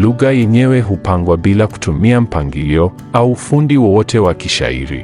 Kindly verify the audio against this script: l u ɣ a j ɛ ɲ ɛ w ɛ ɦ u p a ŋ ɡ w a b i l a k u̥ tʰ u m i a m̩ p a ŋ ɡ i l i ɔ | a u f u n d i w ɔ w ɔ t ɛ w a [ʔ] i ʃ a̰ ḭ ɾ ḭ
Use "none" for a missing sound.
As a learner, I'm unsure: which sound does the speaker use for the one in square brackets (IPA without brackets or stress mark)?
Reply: k